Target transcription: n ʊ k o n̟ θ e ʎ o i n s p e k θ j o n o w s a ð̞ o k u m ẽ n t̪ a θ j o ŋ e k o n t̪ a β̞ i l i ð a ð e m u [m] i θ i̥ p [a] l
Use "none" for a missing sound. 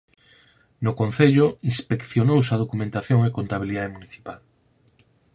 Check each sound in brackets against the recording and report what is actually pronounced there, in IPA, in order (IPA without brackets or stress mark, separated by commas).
n, a